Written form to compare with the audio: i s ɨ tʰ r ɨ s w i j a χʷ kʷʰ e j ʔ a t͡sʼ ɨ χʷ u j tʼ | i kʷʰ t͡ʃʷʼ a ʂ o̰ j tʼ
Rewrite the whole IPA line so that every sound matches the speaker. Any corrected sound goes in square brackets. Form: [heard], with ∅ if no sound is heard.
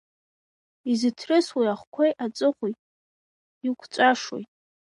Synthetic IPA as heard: i [z] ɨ tʰ r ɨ s w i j a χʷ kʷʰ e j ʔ a t͡sʼ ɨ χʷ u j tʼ | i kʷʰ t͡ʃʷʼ a ʂ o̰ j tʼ